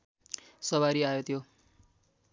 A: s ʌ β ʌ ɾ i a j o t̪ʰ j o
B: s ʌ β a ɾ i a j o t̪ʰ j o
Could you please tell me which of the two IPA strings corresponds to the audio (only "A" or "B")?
B